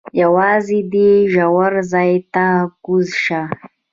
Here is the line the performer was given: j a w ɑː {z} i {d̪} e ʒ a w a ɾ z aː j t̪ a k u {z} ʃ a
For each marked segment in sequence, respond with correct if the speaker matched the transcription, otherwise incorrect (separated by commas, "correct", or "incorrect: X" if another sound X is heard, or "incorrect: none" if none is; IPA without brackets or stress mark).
correct, correct, correct